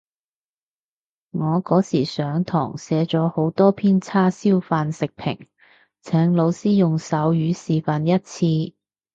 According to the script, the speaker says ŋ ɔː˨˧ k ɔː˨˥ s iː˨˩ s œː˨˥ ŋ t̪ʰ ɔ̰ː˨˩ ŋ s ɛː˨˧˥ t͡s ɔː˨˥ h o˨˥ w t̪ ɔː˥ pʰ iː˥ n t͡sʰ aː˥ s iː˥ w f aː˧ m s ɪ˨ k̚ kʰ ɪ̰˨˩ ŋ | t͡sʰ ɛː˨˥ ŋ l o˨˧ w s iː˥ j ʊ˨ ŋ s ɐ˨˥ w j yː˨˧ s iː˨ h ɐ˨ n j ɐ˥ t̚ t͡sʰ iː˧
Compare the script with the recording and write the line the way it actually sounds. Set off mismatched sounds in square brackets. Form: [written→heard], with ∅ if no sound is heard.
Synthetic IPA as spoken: ŋ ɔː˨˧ k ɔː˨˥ s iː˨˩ s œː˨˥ ŋ t̪ʰ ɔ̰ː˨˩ ŋ s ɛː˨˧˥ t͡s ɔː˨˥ h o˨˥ w t̪ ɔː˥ pʰ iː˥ n t͡sʰ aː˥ s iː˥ w f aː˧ [m→n] s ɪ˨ k̚ [kʰ→pʰ] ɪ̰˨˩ ŋ | t͡sʰ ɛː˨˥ ŋ l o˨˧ w s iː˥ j ʊ˨ ŋ s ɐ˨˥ w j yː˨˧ s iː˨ [h→f] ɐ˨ n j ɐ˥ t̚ t͡sʰ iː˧